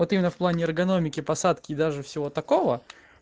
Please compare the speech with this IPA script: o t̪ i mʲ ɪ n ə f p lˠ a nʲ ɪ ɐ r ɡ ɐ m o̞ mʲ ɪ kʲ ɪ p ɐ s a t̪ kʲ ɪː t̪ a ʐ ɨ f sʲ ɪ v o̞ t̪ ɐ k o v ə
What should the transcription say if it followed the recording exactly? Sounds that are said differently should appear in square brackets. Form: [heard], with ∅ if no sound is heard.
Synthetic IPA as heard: o t̪ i mʲ ɪ n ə f p lˠ a nʲ ɪ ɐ r ɡ ɐ [n] o̞ mʲ ɪ kʲ ɪ p ɐ s a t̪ kʲ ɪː [d̪] a ʐ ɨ f sʲ ɪ v o̞ t̪ ɐ k o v ə